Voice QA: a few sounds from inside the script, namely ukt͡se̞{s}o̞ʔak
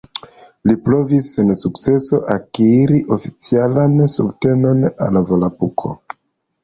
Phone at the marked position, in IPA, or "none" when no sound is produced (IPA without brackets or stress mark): s